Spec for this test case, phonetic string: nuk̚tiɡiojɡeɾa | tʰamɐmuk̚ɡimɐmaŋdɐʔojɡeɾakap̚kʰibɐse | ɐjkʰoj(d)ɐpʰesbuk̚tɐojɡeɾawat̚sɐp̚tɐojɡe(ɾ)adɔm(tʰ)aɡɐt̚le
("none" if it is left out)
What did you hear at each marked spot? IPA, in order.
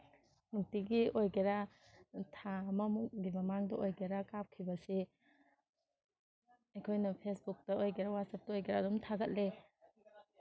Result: n, ɾ, tʰ

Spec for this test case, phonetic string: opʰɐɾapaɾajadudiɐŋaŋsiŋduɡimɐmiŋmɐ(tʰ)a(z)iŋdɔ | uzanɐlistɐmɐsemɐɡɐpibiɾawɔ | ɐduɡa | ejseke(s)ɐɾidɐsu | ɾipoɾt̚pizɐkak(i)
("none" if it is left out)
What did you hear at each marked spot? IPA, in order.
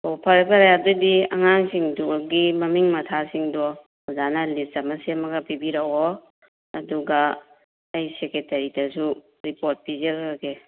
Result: tʰ, s, t, e

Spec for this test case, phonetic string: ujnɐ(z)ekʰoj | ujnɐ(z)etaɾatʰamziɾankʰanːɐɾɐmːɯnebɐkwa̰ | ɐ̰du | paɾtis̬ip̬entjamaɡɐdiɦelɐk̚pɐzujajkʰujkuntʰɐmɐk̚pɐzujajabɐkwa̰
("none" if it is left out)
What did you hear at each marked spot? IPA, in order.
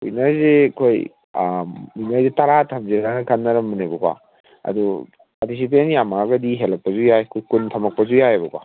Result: z, z

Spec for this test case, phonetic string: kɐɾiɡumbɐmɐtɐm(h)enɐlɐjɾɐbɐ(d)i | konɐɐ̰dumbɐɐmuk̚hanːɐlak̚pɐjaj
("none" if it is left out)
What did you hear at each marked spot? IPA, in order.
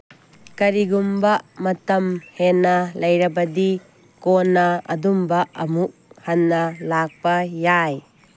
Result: h, d

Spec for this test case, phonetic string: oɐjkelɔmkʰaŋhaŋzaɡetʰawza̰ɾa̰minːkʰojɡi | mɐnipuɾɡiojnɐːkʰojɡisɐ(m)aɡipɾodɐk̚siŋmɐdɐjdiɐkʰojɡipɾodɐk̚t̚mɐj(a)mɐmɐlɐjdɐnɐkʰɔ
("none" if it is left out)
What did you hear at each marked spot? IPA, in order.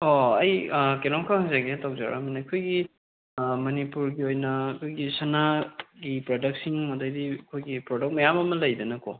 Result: n, a

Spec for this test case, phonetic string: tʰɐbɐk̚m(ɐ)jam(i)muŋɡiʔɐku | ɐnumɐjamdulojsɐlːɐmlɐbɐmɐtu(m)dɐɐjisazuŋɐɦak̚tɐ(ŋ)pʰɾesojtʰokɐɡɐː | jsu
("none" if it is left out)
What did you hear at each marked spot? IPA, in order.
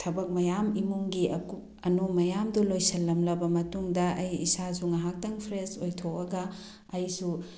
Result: ɐ, i, ŋ, ŋ

